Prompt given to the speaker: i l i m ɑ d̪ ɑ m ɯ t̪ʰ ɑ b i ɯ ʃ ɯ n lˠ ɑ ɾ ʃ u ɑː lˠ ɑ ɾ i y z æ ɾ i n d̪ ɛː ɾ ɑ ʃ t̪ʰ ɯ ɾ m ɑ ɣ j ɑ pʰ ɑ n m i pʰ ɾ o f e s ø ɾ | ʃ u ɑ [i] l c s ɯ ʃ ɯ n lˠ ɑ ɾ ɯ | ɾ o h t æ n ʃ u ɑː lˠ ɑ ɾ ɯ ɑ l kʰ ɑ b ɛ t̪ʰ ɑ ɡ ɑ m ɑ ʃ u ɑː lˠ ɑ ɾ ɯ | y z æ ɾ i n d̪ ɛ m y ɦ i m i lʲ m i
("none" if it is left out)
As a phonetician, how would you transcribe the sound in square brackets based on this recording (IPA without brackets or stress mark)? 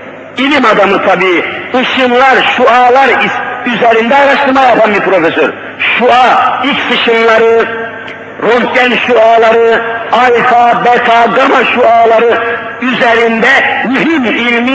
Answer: i